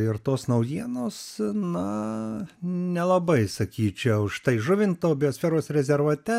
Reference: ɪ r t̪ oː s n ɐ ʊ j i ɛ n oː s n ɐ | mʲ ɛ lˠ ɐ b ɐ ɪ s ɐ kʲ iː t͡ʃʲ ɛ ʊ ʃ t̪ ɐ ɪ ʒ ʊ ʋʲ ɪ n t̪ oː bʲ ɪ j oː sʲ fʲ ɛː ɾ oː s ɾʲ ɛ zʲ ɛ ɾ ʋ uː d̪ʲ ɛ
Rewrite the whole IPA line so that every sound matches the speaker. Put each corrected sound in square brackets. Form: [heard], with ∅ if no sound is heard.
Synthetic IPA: ɪ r t̪ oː s n ɐ ʊ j i ɛ n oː s n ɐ | [nʲ] ɛ lˠ ɐ b ɐ ɪ s ɐ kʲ iː t͡ʃʲ ɛ ʊ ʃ t̪ ɐ ɪ ʒ ʊ ʋʲ ɪ n t̪ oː bʲ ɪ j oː sʲ fʲ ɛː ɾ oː s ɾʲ ɛ zʲ ɛ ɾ ʋ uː [t̪ʲ] ɛ